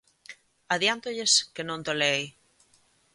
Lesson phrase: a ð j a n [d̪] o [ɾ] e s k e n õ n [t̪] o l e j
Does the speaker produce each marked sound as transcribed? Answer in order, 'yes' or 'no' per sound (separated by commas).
no, no, yes